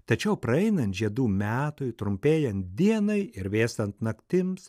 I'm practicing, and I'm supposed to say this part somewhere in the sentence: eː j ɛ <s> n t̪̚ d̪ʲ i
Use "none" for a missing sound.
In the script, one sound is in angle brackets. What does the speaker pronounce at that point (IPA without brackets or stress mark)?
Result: none